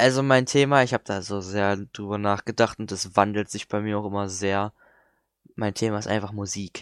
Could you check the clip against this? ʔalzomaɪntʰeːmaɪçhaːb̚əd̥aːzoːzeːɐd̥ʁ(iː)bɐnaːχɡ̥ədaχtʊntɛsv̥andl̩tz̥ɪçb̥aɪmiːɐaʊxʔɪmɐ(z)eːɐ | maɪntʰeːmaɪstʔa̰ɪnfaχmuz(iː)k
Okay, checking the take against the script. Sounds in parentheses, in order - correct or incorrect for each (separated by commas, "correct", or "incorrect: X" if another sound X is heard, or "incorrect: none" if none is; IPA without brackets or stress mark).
incorrect: yː, correct, correct